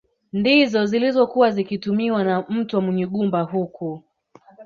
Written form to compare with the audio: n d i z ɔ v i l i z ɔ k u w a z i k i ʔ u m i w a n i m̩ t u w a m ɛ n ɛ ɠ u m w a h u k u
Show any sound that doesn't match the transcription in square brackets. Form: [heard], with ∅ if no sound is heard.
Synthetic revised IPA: n d i z ɔ [z] i l i z ɔ k u w a z i k i [t] u m i w a n [a] m̩ t u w a m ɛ [ɲ] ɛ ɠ u m [b] a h u k u